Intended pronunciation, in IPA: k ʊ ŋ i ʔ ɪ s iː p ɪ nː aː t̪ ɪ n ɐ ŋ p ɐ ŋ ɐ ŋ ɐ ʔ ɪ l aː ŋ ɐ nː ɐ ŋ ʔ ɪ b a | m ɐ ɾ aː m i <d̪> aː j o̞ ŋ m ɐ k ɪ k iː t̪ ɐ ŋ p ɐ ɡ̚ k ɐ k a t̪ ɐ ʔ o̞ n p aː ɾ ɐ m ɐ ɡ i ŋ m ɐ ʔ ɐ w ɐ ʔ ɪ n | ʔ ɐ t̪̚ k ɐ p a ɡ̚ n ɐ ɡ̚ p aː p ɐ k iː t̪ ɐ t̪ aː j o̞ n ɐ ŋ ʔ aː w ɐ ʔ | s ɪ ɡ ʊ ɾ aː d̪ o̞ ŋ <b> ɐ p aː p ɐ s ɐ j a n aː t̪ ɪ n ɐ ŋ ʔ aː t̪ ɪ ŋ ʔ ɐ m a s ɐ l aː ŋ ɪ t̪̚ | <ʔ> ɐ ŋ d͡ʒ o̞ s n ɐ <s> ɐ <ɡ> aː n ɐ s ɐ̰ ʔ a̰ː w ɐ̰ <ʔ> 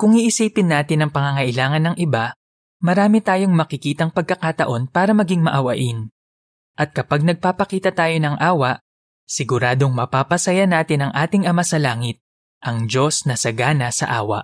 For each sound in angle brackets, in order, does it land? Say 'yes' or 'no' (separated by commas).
no, no, yes, yes, yes, yes